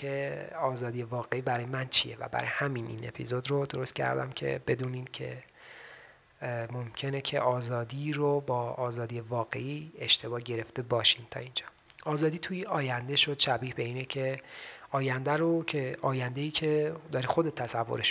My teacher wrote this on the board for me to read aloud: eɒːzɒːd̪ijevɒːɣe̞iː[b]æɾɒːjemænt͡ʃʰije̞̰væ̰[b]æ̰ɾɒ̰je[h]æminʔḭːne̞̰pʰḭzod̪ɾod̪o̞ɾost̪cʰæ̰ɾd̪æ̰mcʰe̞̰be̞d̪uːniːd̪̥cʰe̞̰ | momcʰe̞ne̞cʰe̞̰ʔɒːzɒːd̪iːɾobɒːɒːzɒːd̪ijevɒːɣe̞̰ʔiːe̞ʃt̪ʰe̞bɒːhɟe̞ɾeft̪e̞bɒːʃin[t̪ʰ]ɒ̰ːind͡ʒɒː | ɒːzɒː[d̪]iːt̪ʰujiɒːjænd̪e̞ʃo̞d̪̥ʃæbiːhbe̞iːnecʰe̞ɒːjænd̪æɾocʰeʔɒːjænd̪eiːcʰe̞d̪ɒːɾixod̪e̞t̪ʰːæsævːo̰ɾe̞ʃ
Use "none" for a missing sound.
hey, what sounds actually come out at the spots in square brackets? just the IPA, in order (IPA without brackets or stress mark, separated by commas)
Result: b, b, h, t̪ʰ, d̪